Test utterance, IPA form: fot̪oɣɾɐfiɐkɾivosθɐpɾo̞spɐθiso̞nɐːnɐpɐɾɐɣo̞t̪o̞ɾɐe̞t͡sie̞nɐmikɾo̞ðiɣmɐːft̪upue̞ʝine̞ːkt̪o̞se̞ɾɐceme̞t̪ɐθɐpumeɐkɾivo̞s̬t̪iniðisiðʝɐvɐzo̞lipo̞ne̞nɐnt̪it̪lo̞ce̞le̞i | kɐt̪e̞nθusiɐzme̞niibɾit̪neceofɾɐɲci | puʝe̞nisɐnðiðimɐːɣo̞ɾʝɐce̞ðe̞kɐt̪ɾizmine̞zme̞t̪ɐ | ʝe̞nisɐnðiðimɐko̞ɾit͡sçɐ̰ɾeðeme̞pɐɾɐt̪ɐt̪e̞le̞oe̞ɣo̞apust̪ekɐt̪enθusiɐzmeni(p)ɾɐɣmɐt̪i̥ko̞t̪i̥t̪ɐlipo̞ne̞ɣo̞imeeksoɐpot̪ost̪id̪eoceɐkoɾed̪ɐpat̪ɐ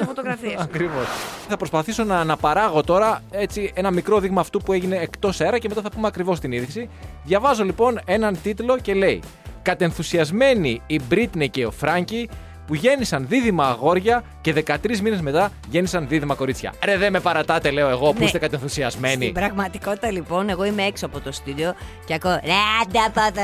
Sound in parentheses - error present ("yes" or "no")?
yes